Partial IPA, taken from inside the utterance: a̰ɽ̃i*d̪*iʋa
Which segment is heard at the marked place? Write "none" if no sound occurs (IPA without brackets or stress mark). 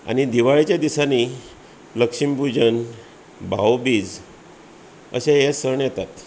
d̪